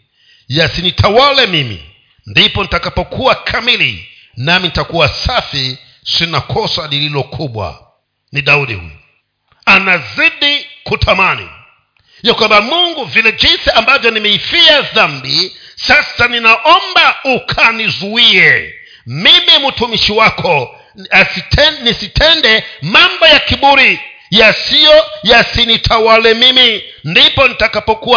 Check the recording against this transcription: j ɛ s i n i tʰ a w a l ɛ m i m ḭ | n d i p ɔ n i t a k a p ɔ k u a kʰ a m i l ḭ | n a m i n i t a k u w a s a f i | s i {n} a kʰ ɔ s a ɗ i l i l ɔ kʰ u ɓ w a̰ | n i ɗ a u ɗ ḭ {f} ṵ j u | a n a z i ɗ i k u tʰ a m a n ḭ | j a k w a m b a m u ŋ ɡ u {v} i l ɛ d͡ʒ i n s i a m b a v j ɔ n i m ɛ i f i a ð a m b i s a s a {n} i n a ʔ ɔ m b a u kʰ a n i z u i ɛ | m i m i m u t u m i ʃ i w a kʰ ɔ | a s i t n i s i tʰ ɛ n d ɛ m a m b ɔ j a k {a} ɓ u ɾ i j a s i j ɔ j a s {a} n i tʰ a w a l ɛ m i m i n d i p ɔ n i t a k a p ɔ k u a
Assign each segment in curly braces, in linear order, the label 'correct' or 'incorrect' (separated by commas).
correct, incorrect, correct, correct, incorrect, incorrect